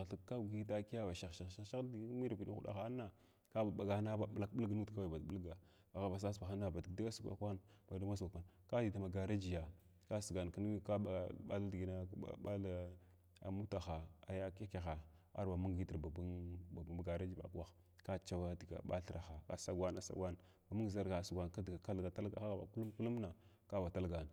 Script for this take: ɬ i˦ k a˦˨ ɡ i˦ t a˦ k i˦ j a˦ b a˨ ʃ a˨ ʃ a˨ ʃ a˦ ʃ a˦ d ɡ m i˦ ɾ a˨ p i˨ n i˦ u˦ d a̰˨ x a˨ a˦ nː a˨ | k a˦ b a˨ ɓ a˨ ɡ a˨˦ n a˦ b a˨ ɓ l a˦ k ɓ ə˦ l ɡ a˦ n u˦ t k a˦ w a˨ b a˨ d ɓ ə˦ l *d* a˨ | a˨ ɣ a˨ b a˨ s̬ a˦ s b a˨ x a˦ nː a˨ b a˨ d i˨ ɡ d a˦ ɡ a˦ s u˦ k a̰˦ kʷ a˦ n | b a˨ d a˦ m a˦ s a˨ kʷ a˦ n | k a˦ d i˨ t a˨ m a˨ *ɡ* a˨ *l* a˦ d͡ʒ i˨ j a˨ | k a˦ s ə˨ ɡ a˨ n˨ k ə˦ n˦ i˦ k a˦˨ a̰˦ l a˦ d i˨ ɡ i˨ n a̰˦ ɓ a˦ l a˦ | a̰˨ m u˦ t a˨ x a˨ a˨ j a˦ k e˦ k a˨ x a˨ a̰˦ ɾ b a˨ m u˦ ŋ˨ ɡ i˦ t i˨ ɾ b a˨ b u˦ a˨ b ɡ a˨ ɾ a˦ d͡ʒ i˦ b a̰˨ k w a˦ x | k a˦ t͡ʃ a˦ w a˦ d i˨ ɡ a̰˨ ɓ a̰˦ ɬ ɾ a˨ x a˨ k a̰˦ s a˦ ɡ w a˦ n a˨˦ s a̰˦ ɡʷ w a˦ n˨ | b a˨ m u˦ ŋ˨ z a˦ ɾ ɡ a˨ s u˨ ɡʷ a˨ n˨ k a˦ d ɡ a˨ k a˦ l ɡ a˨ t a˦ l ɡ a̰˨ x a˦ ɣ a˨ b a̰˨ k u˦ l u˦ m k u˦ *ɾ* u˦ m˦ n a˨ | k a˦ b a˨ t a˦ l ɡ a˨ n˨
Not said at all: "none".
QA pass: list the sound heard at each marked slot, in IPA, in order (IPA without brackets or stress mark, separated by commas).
ɡ, ɡ, ɾ, l